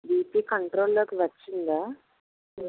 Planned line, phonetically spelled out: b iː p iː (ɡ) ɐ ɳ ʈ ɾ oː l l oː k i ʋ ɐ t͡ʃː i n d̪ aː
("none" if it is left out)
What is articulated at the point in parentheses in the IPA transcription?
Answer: k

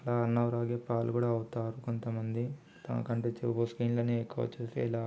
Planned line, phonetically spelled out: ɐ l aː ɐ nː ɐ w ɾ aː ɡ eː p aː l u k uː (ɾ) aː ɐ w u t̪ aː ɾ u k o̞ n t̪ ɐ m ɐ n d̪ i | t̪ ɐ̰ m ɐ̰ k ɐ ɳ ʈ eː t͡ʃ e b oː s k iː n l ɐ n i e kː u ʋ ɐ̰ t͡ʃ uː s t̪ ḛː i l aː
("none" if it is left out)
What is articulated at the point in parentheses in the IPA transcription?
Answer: ɽ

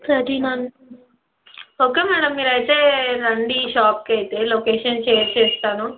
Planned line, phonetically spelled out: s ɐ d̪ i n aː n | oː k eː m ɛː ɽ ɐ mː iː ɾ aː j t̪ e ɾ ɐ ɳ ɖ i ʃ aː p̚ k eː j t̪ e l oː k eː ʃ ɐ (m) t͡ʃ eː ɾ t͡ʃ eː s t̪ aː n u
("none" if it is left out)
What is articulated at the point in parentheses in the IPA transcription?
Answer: n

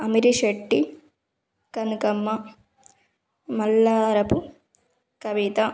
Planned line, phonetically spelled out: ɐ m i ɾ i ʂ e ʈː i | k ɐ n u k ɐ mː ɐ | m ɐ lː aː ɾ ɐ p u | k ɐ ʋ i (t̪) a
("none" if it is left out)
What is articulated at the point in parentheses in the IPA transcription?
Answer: t̪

